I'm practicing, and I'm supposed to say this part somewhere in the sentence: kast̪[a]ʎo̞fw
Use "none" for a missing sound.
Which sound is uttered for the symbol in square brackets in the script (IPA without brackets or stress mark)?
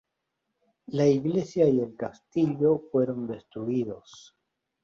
i